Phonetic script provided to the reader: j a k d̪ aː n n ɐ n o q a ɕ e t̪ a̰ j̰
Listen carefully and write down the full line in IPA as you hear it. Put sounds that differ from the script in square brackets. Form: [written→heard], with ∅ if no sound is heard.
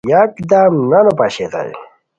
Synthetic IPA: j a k d̪ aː [n→m] n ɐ n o [q→p] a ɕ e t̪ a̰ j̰